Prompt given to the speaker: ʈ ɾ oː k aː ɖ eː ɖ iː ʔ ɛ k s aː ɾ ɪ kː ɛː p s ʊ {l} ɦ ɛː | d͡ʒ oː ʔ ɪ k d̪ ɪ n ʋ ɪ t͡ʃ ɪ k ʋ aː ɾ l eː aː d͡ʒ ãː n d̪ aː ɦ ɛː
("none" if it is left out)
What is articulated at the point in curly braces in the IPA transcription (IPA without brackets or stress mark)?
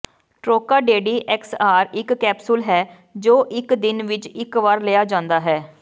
l